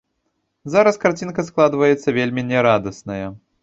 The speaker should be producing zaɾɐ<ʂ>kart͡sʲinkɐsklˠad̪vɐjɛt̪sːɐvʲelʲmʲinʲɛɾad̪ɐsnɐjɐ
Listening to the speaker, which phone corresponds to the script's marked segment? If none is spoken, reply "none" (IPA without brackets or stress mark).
s